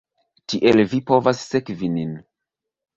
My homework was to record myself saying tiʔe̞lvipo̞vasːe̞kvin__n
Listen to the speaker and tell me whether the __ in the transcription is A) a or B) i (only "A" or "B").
B